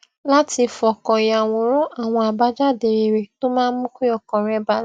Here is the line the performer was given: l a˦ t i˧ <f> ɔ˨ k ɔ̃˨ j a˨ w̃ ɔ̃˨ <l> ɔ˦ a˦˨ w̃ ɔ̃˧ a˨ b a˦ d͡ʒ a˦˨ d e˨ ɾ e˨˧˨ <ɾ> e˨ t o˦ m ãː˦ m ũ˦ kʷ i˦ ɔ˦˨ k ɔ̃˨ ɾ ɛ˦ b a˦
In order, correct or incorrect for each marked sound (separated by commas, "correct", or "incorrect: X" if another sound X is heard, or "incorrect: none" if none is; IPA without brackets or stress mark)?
correct, incorrect: ɾ, correct